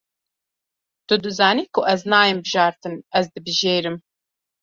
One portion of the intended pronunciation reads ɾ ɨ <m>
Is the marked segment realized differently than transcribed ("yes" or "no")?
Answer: no